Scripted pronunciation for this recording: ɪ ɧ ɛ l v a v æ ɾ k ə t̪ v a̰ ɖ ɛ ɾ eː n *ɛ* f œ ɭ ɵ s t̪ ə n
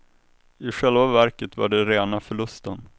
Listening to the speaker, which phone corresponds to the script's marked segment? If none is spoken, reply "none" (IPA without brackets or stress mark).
a